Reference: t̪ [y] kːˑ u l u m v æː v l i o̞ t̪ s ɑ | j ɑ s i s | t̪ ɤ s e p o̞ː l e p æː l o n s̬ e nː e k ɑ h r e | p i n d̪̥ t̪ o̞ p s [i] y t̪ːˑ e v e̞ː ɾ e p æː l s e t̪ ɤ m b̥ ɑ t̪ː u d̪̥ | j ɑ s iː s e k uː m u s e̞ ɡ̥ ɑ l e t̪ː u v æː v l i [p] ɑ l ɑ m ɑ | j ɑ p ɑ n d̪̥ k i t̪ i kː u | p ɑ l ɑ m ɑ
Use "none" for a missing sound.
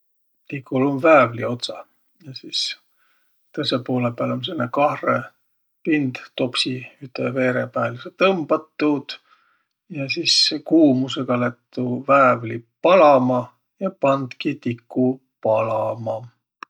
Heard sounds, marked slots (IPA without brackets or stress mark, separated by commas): i, i, p